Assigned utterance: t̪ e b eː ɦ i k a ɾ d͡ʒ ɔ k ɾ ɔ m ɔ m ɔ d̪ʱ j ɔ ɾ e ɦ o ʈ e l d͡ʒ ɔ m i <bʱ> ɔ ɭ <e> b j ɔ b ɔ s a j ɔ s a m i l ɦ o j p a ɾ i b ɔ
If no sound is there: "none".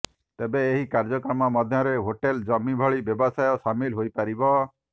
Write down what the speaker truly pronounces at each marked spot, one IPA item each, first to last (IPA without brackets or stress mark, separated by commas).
bʱ, i